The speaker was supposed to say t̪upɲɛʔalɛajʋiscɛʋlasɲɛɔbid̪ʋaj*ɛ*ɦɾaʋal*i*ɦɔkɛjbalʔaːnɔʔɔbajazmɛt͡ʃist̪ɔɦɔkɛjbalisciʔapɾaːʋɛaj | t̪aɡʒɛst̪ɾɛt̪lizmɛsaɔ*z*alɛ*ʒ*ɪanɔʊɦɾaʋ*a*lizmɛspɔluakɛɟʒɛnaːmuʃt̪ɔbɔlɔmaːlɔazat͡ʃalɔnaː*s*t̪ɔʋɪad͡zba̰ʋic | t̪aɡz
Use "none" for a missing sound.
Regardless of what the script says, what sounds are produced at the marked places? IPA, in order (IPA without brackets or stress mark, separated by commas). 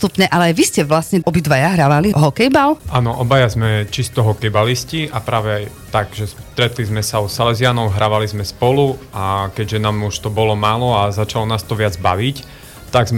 a, i, s, z, a, s